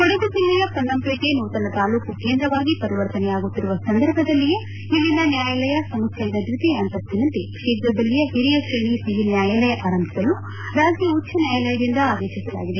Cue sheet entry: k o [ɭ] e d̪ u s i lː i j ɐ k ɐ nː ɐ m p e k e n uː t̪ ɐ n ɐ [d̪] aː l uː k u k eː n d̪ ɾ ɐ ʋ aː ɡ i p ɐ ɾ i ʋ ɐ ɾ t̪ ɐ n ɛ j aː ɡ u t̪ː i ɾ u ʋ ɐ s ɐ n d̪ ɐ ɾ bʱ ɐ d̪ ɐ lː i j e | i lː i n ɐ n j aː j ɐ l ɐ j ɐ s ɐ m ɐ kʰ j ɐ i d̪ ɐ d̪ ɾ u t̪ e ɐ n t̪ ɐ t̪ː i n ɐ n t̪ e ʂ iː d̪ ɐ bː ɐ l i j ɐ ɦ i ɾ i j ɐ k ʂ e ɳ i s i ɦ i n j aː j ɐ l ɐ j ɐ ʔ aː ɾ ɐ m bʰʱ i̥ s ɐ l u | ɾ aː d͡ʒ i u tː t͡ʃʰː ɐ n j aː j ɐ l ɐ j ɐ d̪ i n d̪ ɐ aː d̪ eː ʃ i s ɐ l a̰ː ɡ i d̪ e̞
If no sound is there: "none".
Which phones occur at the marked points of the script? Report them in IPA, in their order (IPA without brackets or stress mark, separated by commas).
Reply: ɽ, t̪